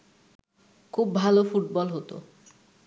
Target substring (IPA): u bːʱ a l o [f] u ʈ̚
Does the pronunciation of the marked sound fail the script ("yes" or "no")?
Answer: no